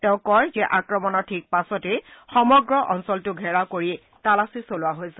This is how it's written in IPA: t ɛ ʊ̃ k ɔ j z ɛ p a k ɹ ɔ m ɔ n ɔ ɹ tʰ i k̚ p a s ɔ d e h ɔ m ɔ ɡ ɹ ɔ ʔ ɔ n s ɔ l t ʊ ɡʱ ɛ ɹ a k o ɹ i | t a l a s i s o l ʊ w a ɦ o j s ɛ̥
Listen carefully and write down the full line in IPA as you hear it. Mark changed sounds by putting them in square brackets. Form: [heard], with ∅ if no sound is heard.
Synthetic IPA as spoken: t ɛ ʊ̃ k ɔ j z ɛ [ʔ] a k ɹ ɔ m ɔ n ɔ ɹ tʰ i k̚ p a s ɔ [t] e [x] ɔ m ɔ ɡ ɹ ɔ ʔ ɔ n s ɔ l t ʊ ɡʱ ɛ ɹ a k o ɹ i | t a l a s i s o l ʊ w a ɦ o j s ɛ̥

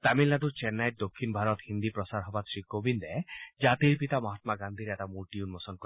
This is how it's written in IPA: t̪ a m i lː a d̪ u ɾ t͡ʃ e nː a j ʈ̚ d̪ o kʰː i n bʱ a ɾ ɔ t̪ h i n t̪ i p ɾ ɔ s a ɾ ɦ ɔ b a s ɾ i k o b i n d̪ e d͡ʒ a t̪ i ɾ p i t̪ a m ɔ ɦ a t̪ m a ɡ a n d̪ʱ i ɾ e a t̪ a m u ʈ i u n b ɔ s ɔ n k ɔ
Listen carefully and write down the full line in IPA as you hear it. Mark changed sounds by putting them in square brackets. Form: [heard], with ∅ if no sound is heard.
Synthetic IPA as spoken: t̪ a m i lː a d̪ u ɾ t͡ʃ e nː a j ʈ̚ d̪ o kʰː i n bʱ a ɾ ɔ t̪ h i n [d̪] i p ɾ ɔ s a ɾ ɦ ɔ b a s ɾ i k o b i n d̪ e d͡ʒ a t̪ i ɾ p i t̪ a m ɔ ɦ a t̪ m a ɡ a n d̪ʱ i ɾ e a t̪ a m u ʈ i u n [m] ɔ s ɔ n k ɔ

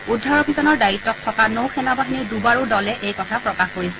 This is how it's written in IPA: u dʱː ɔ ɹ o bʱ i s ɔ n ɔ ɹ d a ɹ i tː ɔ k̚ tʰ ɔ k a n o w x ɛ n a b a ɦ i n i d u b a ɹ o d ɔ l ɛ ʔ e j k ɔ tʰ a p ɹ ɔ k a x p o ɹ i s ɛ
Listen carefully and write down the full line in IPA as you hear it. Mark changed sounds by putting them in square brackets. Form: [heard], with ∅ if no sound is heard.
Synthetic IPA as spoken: u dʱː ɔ ɹ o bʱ i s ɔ n ɔ ɹ d a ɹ i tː ɔ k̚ tʰ ɔ k a n o w x ɛ n a b a ɦ i n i d u b a ɹ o d ɔ l ɛ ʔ e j k ɔ tʰ a p ɹ ɔ k a x [k] o ɹ i s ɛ

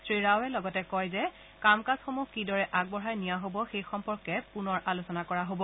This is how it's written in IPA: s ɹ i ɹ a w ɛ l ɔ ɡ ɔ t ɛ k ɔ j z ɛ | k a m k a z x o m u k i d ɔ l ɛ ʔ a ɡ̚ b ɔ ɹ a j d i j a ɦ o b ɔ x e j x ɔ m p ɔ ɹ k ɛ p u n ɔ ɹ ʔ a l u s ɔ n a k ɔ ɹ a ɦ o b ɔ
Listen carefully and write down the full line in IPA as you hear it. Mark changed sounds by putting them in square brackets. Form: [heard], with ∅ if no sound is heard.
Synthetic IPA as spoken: s ɹ i ɹ a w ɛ l ɔ ɡ ɔ t ɛ k ɔ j z ɛ | k a m k a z x o m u k i d ɔ [ɹ] ɛ ʔ a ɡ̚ b ɔ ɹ a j [n] i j a ɦ o b ɔ x e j x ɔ m p ɔ ɹ k ɛ p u n ɔ ɹ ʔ a l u s ɔ n a k ɔ ɹ a ɦ o b ɔ

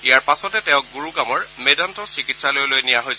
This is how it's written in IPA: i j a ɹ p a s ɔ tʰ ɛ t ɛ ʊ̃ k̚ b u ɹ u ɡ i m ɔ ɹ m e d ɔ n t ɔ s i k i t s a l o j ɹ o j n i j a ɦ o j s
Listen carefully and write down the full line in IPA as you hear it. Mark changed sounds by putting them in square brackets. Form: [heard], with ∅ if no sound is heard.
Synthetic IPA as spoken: i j a ɹ p a s ɔ [t] ɛ t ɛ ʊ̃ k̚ [ɡ] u ɹ u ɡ [a] m ɔ ɹ m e d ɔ n t ɔ s i k i t s a l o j [l] o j n i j a ɦ o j s

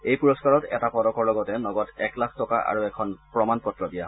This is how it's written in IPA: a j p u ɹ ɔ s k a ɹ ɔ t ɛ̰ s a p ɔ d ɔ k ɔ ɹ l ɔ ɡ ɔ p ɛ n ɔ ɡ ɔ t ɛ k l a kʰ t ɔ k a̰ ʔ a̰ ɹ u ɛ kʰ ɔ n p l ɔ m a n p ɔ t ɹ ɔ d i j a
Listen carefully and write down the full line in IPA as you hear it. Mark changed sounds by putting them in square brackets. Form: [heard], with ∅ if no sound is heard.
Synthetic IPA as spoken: [e] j p u ɹ ɔ s k a ɹ ɔ t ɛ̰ [t] a p ɔ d ɔ k ɔ ɹ l ɔ ɡ ɔ [t] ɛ n ɔ ɡ ɔ t ɛ k l a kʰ t ɔ k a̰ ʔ a̰ ɹ u ɛ kʰ ɔ n p [ɹ] ɔ m a n p ɔ t ɹ ɔ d i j a

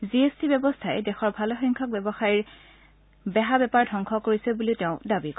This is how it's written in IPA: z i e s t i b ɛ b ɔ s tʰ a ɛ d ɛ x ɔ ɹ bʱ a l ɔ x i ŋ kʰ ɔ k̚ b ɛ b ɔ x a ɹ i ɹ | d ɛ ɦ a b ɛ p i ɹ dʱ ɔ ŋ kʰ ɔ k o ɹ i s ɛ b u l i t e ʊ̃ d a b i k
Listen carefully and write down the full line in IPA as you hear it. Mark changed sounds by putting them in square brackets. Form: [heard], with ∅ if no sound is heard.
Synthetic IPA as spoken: z i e s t i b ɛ b ɔ s tʰ a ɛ d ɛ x ɔ ɹ bʱ a l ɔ x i ŋ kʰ ɔ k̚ b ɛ b ɔ x a ɹ i ɹ | [b] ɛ ɦ a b ɛ p [a] ɹ dʱ ɔ ŋ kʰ ɔ k o ɹ i s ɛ b u l i t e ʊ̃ d a b i k

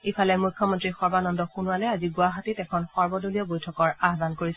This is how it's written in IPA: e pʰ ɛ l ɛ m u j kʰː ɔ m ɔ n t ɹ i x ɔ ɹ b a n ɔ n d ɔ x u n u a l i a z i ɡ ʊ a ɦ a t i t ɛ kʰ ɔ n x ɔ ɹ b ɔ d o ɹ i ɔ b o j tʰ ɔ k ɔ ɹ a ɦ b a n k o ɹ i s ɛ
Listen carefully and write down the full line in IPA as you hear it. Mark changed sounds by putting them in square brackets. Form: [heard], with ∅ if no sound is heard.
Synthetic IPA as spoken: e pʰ [a] l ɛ m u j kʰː ɔ m ɔ n t ɹ i x ɔ ɹ b a n ɔ n d ɔ x u n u a l [ɛ] a z i ɡ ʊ a ɦ a t i t ɛ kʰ ɔ n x ɔ ɹ b ɔ d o [l] i ɔ b o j tʰ ɔ k ɔ ɹ a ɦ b a n k o ɹ i s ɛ

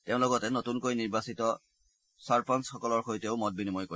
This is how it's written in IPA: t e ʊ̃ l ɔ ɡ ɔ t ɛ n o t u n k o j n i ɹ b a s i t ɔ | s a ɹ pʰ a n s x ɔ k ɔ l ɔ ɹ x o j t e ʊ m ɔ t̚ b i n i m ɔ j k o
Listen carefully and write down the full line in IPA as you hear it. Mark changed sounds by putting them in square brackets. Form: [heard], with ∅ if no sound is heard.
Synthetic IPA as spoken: t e ʊ̃ l ɔ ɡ ɔ t ɛ n o t u n k o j n i ɹ b a s i t ɔ | s a ɹ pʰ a n s x ɔ k ɔ l ɔ ɹ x o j t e ʊ m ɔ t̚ b i n i m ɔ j k o

